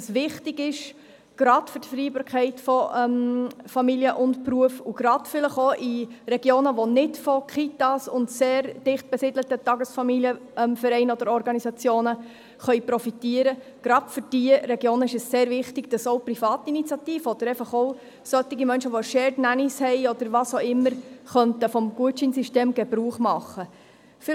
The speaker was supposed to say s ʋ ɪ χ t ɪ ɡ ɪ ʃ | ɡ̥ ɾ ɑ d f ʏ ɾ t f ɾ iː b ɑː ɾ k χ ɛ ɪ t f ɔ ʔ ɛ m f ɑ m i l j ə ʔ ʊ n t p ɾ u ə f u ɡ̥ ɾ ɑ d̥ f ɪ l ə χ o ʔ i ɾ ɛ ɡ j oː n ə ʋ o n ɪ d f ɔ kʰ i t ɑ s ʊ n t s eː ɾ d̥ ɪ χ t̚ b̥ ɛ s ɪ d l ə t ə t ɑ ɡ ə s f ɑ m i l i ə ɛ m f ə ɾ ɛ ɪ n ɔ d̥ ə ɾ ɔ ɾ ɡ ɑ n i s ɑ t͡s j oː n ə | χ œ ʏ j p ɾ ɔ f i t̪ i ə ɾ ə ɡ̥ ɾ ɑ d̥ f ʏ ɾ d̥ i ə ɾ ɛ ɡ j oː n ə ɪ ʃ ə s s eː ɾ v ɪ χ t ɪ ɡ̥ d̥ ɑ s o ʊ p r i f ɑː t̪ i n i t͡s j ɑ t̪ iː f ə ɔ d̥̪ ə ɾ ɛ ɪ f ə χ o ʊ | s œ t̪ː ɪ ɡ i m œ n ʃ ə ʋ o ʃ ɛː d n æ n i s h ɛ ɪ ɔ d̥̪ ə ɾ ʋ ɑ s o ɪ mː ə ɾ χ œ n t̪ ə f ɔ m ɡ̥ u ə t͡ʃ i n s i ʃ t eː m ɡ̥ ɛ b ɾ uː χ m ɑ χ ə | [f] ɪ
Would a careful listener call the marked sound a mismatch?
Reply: no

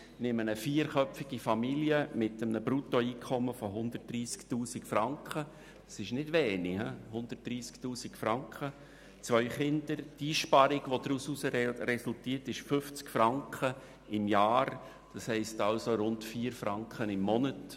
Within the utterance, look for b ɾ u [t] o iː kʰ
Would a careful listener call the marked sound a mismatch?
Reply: no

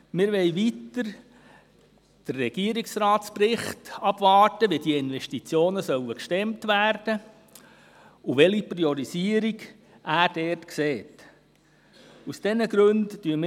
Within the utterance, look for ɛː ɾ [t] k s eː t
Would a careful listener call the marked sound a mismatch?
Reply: no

